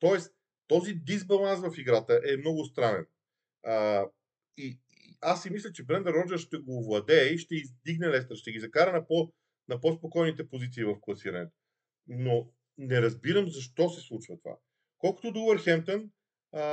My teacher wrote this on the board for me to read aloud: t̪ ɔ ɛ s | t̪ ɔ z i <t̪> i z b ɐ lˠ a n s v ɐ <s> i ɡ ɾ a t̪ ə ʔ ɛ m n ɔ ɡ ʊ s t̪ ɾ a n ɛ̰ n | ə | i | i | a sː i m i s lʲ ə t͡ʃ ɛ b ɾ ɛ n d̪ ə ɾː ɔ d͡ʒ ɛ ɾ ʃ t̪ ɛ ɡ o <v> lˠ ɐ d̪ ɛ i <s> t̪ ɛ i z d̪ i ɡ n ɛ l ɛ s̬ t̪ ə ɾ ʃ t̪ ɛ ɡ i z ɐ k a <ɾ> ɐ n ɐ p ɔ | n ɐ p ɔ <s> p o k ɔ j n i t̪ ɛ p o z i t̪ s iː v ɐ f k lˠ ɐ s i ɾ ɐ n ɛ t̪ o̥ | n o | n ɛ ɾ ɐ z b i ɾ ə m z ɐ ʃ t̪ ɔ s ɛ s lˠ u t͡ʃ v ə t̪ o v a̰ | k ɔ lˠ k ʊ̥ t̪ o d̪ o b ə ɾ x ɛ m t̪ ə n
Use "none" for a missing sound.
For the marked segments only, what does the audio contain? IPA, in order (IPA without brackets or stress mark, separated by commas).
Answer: d̪, f, v, ʃ, ɾ, s